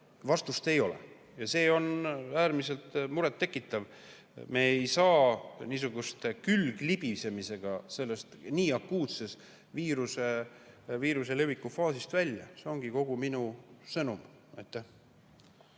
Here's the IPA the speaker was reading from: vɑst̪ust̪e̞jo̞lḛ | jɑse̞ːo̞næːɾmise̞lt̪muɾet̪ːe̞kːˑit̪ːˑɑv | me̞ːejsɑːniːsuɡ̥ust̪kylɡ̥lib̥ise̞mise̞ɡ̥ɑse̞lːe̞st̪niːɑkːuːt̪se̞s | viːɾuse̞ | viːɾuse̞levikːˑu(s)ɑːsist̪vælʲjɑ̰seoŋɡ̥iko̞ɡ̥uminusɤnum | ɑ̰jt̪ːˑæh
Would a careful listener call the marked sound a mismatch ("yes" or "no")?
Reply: yes